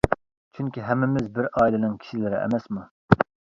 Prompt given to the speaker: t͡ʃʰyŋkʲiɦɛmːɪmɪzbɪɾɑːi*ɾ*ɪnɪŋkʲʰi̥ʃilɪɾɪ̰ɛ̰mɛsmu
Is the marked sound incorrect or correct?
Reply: incorrect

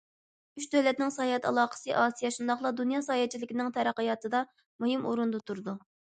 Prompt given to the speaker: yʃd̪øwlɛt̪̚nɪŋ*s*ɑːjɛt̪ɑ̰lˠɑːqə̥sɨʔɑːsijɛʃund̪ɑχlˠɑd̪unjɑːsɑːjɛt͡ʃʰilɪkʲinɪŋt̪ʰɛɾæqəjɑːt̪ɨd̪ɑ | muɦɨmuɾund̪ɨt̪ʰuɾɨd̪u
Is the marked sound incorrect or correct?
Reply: correct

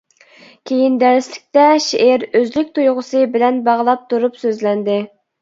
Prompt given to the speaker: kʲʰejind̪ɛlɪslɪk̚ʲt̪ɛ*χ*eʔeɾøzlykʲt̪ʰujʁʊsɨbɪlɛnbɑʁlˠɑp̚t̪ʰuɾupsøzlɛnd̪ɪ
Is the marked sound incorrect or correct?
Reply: incorrect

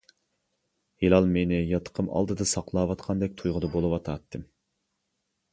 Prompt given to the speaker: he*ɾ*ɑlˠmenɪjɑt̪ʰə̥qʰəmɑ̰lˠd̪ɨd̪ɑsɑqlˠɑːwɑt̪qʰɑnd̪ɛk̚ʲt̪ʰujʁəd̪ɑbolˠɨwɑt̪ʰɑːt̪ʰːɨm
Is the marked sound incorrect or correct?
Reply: incorrect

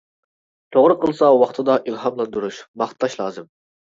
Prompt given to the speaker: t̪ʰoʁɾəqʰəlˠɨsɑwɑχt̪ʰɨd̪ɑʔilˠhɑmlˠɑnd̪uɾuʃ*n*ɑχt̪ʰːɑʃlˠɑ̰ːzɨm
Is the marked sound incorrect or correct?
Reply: incorrect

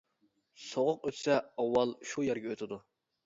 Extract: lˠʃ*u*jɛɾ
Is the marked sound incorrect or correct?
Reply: correct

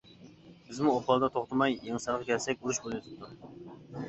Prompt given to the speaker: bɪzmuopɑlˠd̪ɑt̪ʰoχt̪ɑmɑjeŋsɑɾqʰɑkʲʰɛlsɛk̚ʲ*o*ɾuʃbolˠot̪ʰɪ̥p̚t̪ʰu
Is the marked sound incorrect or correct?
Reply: incorrect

